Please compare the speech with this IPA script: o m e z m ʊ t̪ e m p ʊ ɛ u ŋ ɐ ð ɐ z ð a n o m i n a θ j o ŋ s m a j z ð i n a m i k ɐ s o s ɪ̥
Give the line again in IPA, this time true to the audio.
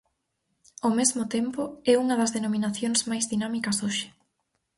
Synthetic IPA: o m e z m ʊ t̪ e m p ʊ ɛ u ŋ ɐ ð ɐ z ð e n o m i n a θ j o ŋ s m a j z ð i n a m i k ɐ s o ʃ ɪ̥